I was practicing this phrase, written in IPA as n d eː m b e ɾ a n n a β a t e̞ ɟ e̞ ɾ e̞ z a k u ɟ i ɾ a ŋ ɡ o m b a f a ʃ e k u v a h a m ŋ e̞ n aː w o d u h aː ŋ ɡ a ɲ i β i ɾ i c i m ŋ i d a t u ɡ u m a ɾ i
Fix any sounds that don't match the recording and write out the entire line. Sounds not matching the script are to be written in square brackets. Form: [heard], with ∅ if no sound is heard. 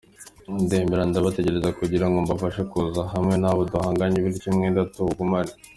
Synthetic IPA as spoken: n d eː m b e ɾ a n [d] a β a t e̞ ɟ e̞ ɾ e̞ z a k u ɟ i ɾ a ŋ ɡ o m b a f a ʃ e k u [z] a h a m ŋ e̞ n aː [β] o d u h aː ŋ ɡ a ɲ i β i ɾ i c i m ŋ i d a t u ɡ u m a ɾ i